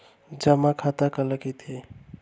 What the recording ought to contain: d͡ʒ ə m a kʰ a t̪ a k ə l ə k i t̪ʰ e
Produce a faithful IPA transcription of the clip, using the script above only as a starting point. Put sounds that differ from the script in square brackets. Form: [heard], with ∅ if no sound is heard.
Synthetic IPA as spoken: d͡ʒ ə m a kʰ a t̪ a k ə l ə k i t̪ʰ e